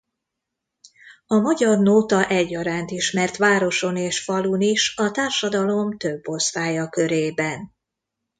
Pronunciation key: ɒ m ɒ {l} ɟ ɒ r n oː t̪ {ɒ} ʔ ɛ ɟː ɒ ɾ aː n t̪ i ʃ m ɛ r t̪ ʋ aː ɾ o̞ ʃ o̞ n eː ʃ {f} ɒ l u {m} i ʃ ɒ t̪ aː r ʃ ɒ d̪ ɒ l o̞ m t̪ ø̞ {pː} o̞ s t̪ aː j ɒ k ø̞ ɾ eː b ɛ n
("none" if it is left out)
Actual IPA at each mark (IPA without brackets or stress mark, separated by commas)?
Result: none, ɒ, f, n, bː